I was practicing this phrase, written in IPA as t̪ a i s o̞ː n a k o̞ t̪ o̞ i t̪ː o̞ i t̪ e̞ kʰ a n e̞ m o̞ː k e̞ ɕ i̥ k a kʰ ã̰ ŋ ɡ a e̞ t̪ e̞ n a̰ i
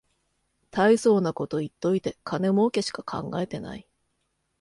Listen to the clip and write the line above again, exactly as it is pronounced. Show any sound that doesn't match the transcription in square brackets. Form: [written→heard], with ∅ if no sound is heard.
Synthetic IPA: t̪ a i s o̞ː n a k o̞ t̪ o̞ i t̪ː o̞ i t̪ e̞ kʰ a n e̞ m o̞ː k e̞ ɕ i̥ k a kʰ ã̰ ŋ ɡ a e̞ t̪ e̞ n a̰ i